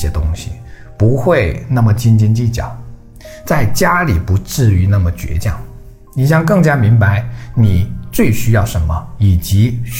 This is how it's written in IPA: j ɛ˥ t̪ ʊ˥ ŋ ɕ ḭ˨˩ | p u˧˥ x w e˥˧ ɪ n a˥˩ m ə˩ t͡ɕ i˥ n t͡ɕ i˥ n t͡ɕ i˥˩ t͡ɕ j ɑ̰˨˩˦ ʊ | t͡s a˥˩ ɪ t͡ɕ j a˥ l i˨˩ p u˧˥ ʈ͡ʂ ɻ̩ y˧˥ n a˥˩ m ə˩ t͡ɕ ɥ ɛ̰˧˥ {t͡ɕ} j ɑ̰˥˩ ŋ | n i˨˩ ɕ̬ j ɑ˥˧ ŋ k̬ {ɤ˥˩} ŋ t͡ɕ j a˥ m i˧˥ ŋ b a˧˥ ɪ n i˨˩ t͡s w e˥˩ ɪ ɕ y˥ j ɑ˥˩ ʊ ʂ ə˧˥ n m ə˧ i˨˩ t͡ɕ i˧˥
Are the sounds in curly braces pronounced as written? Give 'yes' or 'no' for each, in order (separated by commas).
yes, yes